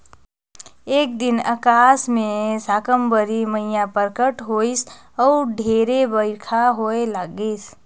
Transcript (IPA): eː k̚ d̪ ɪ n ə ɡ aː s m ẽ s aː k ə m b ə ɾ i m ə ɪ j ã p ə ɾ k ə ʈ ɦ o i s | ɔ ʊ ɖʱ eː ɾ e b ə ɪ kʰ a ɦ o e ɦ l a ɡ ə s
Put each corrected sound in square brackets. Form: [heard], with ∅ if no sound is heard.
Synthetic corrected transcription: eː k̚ d̪ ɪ n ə [k] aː s m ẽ s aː k ə m b ə ɾ i m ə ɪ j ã p ə ɾ k ə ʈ ɦ o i s | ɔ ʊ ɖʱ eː ɾ e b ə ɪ kʰ a ɦ o e [∅] l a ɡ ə s